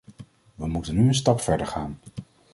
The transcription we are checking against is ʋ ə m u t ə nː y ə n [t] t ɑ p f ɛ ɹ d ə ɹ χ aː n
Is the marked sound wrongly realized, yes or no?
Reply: yes